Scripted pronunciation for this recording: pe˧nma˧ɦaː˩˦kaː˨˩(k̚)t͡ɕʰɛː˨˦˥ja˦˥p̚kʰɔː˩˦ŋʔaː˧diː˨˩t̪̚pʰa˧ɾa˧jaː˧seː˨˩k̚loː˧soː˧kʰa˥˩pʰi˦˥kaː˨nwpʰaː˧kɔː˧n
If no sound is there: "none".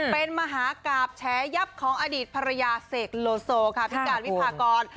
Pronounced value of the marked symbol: p̚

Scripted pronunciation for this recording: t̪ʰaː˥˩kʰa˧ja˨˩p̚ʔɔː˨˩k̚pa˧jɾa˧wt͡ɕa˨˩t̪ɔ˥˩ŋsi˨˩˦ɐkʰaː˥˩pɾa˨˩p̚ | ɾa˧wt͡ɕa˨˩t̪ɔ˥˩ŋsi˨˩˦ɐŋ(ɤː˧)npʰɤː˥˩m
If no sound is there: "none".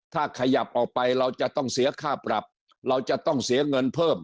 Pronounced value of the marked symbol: ɤ˧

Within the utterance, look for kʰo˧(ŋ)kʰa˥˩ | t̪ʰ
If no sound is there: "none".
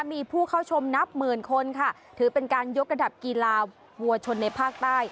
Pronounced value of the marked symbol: n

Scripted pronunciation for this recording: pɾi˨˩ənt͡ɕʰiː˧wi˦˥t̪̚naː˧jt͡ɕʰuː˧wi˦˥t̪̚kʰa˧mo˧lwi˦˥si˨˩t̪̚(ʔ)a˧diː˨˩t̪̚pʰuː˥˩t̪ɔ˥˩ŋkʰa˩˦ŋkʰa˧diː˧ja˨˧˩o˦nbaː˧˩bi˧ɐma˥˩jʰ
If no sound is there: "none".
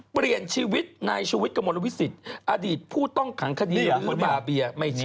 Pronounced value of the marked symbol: ʔ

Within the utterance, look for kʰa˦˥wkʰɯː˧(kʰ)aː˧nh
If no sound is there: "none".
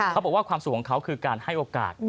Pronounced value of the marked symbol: k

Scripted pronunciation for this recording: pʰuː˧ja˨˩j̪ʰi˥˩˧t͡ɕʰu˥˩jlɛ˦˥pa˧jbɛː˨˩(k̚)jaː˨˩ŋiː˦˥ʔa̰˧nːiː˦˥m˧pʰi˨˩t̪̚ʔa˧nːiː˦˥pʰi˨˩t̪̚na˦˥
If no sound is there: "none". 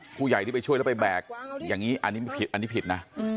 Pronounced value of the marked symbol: k̚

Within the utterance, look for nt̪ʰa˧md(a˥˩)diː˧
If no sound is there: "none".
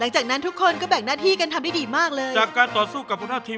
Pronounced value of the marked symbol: a˥˩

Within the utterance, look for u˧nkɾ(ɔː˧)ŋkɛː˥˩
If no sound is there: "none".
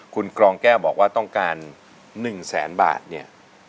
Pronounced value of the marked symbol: ɔː˧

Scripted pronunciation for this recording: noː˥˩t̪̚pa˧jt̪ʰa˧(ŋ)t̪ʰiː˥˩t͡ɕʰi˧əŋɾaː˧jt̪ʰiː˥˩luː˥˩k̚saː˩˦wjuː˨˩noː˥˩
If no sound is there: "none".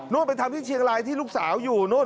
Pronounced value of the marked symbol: m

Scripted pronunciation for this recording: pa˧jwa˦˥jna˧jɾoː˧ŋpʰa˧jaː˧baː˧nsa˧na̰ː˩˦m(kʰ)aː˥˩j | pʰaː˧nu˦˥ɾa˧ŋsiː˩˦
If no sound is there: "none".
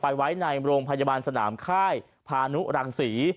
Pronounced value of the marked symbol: kʰ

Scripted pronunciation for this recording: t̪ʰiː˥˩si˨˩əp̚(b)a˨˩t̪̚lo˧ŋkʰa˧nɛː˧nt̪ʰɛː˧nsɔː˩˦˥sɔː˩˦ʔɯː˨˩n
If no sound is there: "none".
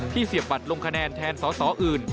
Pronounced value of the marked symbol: b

